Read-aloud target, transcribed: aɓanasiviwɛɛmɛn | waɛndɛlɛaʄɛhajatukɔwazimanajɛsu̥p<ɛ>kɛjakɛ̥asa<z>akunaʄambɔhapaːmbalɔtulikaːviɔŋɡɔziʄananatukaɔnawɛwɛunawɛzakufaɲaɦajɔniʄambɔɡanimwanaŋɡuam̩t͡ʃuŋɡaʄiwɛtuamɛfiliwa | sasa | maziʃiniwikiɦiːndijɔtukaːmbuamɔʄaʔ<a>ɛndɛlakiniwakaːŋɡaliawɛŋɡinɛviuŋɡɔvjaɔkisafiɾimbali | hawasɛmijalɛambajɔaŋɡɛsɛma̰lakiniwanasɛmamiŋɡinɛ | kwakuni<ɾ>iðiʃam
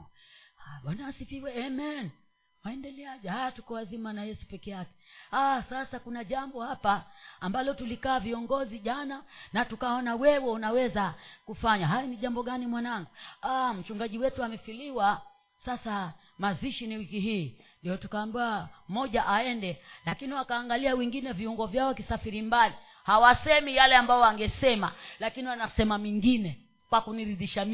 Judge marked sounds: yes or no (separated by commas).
yes, no, yes, yes